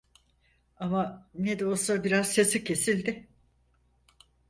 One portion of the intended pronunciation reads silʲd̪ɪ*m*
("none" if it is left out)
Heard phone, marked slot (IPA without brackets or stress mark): none